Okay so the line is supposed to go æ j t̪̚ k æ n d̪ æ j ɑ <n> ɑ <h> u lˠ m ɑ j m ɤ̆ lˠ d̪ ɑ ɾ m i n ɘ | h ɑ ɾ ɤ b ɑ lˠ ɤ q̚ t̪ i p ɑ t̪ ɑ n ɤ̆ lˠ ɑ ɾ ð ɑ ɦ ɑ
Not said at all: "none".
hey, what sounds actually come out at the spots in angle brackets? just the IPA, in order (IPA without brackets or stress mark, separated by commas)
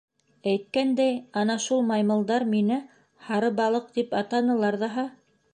n, ʃ